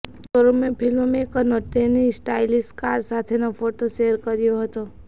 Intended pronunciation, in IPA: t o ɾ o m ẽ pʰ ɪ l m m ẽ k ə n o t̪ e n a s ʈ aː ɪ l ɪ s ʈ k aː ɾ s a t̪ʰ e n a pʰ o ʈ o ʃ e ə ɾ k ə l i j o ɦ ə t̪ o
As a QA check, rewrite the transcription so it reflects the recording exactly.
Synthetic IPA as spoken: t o ɾ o m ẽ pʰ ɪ l m m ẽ k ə n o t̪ e n i s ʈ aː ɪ l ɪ s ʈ k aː ɾ s a t̪ʰ e n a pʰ o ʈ o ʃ e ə ɾ k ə ɾ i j o ɦ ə t̪ o

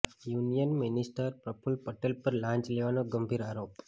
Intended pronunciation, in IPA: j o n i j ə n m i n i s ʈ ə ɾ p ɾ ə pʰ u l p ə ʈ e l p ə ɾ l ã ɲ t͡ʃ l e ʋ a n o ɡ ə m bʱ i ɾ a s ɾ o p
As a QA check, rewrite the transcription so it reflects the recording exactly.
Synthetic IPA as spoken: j u n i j ə n m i n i s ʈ ə ɾ p ɾ ə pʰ u l p ə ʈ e l p ə ɾ l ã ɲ t͡ʃ l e ʋ a n o ɡ ə m bʱ i ɾ a ɾ o p

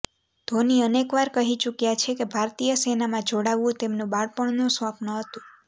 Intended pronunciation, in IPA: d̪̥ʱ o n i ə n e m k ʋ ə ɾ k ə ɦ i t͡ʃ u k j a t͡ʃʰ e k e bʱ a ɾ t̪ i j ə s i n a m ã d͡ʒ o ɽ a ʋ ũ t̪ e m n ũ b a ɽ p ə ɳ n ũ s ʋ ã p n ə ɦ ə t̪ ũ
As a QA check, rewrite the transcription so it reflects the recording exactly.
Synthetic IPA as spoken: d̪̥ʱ o n i ə n e k ʋ a ɾ k ə ɦ i t͡ʃ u k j a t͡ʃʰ e k e bʱ a ɾ t̪ i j ə s e n a m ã d͡ʒ o ɽ a ʋ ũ t̪ e m n ũ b a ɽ p ə ɳ n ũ s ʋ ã p n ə ɦ ə t̪ ũ

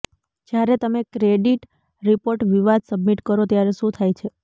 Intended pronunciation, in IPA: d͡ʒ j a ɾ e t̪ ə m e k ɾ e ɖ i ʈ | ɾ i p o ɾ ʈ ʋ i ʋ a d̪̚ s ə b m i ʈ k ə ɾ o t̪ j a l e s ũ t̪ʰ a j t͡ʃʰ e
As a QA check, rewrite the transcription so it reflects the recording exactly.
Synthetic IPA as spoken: d͡ʒ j a ɾ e t̪ ə m e k ɾ e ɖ i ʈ | ɾ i p o ɾ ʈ ʋ i ʋ a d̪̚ s ə b m i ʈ k ə ɾ o t̪ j a ɾ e ʃ ũ t̪ʰ a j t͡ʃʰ e

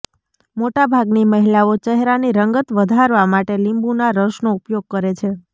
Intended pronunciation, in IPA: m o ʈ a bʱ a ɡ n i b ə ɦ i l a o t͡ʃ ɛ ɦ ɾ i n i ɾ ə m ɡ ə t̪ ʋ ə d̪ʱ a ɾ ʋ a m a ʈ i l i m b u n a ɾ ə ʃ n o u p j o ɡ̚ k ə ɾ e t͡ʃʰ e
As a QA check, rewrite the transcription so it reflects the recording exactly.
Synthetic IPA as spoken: m o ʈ a bʱ a ɡ n i m ə ɦ i l a o t͡ʃ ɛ ɦ ɾ a n i ɾ ə ŋ ɡ ə t̪ ʋ ə d̪ʱ a ɾ ʋ a m a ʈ e l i m b u n a ɾ ə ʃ n o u p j o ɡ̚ k ə ɾ e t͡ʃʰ e

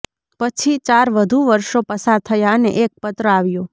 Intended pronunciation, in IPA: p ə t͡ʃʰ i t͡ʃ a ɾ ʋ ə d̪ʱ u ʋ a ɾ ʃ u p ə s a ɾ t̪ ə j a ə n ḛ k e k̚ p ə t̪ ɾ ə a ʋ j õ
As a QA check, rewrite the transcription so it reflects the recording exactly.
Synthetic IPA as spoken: p ə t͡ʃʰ i t͡ʃ a ɾ ʋ ə d̪ʱ u ʋ ə ɾ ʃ o p ə s a ɾ t̪ʰ ə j a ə n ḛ ʔ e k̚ p ə t̪ ɾ ə a ʋ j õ

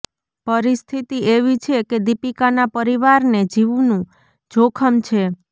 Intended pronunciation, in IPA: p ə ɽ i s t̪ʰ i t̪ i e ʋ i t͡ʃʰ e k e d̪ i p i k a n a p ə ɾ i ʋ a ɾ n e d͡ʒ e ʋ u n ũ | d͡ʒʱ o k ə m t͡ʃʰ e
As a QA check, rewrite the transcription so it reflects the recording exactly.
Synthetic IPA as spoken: p ə ɾ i s t̪ʰ i t̪ i e ʋ i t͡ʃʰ e k e d̪ i p i k a n a p ə ɾ i ʋ a ɾ n e d͡ʒ i ʋ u n ũ | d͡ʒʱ o kʰ ə m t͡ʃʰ e

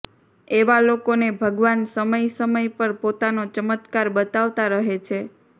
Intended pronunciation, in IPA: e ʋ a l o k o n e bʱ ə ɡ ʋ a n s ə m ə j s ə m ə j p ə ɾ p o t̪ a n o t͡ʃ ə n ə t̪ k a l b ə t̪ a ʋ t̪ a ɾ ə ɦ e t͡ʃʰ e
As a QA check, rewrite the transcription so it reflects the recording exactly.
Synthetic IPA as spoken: e ʋ a l o k o n e bʱ ə ɡ ʋ a n s ə m ə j s ə m ə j p ə ɾ p o t̪ a n o t͡ʃ ə m ə t̪ k a ɾ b ə t̪ a ʋ t̪ a ɾ ə ɦ e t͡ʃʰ e

